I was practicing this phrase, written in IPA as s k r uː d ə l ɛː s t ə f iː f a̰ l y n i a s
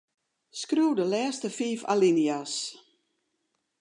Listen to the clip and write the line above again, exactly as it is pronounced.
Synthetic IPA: s k r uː d ə l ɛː s t ə f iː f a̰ l i n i a s